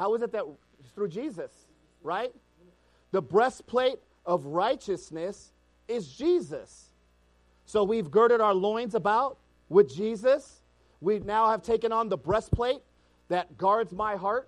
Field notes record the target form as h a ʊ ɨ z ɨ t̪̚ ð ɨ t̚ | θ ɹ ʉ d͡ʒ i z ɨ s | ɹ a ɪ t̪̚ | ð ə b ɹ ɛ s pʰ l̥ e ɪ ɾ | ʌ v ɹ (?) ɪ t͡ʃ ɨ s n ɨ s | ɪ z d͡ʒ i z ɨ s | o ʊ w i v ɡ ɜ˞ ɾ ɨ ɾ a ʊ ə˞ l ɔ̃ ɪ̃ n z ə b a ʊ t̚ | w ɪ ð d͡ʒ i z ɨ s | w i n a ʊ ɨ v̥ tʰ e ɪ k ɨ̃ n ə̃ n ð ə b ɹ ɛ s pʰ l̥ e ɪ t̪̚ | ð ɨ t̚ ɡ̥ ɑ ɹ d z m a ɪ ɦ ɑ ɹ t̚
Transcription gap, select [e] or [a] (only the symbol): a